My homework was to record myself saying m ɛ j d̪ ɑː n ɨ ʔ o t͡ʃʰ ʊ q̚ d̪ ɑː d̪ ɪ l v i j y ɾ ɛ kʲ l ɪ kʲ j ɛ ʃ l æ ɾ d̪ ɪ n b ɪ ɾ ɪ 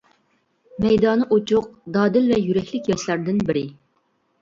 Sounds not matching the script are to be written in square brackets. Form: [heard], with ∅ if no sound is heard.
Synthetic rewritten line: m ɛ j d̪ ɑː n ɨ ʔ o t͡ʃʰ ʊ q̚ d̪ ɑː d̪ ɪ l v [ɛ] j y ɾ ɛ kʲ l ɪ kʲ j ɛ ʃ l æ ɾ d̪ ɪ n b ɪ ɾ ɪ